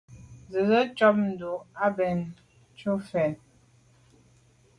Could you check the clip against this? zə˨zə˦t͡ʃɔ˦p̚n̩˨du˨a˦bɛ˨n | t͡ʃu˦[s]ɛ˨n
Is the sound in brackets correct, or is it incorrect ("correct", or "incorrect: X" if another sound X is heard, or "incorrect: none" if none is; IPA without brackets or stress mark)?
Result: incorrect: f